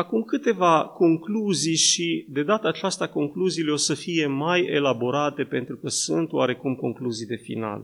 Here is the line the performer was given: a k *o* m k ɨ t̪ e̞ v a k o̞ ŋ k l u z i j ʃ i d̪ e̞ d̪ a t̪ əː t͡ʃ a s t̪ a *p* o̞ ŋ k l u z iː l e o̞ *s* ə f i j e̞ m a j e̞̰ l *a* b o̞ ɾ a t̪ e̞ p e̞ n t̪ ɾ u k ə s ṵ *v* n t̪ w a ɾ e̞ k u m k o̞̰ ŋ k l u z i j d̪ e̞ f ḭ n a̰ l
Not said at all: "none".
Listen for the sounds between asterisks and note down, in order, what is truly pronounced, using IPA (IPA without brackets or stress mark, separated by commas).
u, k, s, a, none